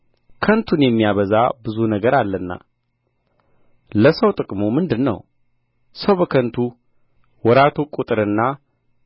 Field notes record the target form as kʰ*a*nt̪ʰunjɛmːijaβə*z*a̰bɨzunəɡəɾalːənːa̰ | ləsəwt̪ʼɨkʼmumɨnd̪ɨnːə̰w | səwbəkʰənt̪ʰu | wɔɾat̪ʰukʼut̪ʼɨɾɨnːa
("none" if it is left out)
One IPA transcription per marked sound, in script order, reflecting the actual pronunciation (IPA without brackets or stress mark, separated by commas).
ə, z